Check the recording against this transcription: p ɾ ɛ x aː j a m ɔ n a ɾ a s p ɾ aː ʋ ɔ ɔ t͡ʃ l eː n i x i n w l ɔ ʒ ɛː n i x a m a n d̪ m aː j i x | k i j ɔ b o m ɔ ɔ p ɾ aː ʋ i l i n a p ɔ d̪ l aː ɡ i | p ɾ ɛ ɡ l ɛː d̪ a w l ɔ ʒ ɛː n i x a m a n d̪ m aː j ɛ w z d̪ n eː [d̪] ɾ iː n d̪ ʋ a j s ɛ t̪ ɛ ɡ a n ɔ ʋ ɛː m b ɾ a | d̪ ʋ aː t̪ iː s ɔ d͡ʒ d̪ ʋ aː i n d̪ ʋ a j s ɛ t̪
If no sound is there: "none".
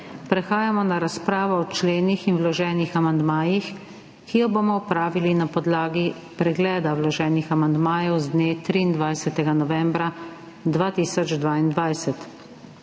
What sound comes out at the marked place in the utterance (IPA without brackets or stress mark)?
t̪